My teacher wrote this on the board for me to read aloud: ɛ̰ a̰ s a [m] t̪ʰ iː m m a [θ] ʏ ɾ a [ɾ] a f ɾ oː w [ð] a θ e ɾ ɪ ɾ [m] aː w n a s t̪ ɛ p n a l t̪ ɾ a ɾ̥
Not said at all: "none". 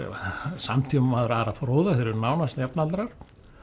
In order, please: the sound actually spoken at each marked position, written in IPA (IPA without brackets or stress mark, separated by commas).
m, ð, ɾ, ð, n